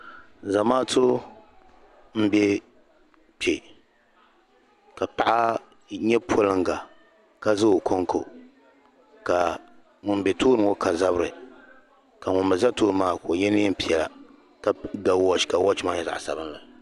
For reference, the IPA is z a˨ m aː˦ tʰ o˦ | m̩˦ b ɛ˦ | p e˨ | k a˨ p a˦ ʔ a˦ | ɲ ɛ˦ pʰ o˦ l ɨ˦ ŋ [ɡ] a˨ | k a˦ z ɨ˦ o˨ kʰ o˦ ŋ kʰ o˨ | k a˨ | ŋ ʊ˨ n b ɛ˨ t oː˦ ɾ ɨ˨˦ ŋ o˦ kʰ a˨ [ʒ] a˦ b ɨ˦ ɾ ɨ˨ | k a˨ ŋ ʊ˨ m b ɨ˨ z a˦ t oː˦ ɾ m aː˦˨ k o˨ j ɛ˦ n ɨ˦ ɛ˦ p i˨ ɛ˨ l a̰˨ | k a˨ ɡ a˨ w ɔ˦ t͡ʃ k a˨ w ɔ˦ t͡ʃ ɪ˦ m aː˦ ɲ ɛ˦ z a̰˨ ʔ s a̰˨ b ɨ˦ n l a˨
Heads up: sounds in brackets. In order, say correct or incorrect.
correct, incorrect: z

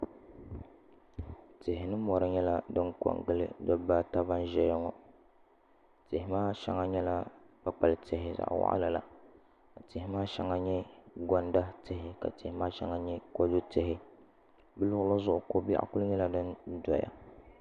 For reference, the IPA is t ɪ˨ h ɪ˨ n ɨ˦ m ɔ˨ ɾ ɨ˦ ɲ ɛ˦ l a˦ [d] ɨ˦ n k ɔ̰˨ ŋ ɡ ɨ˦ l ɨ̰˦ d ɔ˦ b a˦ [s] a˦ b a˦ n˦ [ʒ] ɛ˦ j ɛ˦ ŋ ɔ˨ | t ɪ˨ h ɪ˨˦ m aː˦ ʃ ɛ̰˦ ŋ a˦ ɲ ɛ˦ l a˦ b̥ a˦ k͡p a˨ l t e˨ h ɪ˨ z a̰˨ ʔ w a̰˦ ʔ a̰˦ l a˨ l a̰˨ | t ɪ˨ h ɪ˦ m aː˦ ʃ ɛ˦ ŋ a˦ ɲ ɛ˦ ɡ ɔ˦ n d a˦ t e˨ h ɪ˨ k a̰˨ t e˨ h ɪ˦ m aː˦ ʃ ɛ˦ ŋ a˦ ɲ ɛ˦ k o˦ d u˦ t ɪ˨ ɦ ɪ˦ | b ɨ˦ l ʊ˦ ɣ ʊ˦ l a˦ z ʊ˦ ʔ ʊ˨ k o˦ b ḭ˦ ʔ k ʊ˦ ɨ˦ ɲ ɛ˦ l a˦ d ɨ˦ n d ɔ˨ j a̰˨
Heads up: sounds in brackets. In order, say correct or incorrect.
correct, incorrect: t, correct

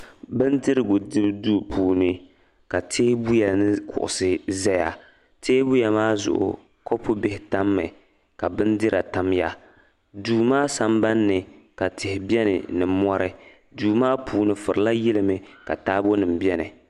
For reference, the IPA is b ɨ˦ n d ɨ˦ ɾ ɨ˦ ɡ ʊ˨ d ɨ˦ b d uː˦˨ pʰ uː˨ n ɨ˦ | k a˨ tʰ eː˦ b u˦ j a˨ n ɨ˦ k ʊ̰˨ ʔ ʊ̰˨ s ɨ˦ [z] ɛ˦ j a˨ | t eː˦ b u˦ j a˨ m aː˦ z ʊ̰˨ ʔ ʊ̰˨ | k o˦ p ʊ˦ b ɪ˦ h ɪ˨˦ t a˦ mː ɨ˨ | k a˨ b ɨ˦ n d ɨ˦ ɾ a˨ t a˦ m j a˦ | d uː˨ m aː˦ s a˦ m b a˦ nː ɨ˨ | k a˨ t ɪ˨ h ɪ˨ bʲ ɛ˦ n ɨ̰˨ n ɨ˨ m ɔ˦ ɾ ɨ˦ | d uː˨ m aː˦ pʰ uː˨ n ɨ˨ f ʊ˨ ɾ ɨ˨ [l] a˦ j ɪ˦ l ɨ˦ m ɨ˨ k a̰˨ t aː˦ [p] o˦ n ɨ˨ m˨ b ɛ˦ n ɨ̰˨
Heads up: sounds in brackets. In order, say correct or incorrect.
correct, correct, incorrect: b

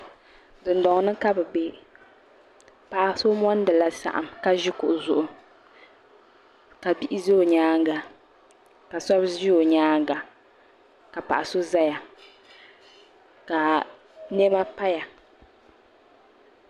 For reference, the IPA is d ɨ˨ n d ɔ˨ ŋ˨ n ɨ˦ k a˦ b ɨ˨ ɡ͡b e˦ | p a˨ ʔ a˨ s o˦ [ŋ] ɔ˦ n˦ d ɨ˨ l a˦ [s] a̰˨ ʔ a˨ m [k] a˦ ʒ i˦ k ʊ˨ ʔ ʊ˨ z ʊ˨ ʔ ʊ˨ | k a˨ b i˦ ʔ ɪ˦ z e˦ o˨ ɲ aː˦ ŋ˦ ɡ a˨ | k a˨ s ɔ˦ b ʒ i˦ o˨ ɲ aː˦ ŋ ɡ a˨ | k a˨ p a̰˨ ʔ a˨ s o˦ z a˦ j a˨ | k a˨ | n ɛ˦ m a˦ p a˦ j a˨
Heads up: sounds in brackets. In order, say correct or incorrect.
incorrect: m, correct, correct

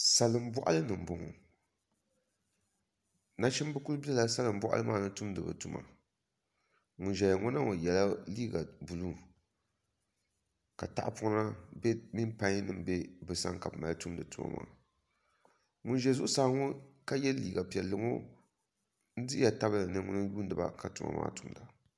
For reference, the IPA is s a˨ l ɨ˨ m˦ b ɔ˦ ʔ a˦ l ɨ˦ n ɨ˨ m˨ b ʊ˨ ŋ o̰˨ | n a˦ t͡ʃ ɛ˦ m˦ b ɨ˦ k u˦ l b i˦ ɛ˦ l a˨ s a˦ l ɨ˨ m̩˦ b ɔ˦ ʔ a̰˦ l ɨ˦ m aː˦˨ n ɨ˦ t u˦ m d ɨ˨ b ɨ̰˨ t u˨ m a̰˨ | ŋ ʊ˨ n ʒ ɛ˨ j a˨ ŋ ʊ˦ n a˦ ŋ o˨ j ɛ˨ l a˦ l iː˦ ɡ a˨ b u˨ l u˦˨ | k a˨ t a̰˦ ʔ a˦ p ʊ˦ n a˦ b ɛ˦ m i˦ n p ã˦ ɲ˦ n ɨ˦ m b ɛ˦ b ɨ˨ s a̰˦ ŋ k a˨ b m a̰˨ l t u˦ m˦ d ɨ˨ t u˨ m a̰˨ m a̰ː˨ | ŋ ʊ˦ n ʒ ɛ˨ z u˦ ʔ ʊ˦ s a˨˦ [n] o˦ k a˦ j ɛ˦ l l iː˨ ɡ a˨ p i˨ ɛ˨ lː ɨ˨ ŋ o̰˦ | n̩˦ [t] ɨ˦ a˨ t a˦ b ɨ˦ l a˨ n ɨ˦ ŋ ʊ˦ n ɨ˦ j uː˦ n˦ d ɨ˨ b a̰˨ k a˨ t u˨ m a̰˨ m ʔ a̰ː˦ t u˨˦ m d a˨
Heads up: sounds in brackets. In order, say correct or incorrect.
incorrect: ŋ, incorrect: d

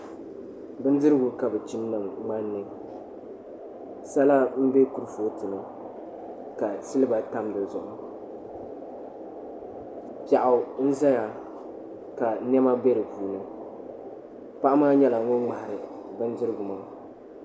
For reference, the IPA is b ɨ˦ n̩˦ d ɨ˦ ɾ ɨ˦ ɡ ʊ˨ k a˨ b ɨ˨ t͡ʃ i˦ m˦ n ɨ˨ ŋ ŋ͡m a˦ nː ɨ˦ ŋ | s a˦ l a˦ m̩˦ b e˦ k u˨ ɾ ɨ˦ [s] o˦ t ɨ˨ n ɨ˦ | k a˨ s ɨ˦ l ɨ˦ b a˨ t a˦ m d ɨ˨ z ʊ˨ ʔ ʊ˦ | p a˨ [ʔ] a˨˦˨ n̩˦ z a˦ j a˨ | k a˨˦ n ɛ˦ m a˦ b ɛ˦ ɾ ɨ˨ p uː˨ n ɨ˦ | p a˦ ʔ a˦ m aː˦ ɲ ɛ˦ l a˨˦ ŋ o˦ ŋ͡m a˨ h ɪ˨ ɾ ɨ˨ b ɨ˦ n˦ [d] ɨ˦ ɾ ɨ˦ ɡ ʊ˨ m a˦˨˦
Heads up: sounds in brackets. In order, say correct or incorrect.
incorrect: f, correct, correct

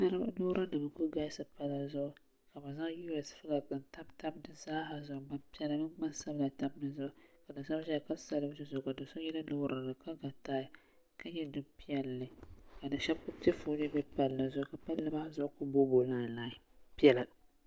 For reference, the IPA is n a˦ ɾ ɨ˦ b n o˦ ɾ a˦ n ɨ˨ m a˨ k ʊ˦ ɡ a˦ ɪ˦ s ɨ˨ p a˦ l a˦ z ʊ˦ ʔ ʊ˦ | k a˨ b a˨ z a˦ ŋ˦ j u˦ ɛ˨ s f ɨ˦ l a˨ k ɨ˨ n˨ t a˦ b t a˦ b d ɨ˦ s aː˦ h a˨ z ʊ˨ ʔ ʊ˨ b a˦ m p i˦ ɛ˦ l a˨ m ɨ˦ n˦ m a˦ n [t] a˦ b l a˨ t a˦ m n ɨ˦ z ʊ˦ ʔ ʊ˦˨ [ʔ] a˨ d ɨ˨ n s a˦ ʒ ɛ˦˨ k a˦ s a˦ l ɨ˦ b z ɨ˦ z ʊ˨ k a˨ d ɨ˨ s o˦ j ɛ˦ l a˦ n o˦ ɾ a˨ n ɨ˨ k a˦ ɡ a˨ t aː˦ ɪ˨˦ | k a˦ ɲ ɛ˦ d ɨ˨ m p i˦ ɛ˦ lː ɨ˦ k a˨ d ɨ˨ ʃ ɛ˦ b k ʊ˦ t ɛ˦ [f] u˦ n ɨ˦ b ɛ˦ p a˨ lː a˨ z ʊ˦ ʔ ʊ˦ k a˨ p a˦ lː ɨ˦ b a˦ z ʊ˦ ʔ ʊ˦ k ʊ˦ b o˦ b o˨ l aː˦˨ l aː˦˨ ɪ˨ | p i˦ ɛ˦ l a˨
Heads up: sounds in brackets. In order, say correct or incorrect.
incorrect: s, incorrect: k, correct

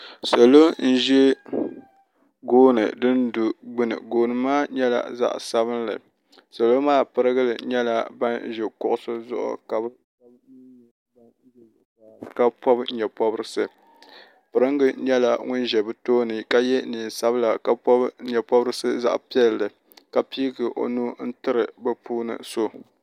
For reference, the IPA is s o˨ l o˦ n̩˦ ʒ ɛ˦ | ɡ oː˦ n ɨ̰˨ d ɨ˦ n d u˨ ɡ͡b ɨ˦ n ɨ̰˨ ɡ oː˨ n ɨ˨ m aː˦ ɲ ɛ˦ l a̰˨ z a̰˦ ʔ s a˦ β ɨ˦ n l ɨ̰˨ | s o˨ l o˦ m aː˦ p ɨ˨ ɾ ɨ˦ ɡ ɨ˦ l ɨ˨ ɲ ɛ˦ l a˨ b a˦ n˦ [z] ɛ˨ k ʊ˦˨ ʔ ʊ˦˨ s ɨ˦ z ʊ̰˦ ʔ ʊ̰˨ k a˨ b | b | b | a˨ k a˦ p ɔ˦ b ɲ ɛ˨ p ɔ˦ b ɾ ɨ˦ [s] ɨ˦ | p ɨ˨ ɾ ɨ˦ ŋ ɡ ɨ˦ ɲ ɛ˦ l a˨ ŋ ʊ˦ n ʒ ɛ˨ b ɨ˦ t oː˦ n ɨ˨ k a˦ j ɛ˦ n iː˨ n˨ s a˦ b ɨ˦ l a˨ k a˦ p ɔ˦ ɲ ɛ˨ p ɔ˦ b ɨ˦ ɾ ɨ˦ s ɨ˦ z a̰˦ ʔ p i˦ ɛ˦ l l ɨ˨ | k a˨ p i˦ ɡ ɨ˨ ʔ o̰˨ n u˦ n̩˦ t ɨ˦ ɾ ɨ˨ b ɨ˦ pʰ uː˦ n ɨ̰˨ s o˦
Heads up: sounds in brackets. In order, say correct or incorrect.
incorrect: ʒ, correct

